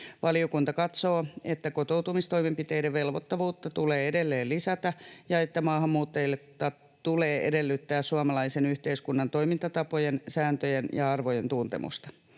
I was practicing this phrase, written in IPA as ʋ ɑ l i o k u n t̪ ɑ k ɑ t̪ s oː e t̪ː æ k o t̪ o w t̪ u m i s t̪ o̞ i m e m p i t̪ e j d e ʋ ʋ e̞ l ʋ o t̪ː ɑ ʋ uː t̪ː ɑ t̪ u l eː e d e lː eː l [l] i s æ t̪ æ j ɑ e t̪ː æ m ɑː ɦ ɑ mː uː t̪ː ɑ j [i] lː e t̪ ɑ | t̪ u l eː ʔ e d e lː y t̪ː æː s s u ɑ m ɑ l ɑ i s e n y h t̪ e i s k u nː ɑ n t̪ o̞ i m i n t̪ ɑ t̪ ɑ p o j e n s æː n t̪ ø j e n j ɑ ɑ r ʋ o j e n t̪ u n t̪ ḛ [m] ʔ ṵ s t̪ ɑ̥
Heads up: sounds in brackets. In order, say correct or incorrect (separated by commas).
correct, correct, correct